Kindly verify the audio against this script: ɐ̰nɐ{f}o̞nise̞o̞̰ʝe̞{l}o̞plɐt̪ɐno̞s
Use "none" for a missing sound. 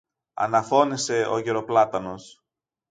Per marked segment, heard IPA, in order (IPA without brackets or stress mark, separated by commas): f, ɾ